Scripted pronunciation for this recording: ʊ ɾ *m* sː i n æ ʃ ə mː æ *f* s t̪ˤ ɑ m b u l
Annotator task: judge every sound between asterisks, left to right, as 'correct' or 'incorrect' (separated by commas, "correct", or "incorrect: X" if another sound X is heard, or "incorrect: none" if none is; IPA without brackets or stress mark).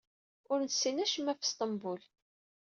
incorrect: n, correct